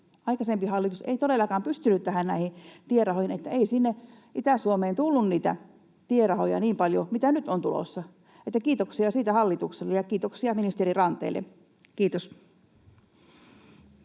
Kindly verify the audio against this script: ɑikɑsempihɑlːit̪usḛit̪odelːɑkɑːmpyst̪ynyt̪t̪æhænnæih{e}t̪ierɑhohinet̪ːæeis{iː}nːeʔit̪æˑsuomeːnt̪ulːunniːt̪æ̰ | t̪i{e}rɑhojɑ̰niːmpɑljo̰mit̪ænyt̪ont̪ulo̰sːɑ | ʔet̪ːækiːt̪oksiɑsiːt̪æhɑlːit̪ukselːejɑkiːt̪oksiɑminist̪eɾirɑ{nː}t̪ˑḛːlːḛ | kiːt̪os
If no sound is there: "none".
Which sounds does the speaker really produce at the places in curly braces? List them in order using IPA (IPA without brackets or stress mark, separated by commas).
i, i, e, n